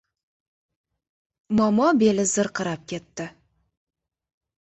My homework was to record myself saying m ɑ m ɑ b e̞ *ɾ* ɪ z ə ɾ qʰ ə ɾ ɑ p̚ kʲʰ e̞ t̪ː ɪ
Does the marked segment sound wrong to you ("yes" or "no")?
yes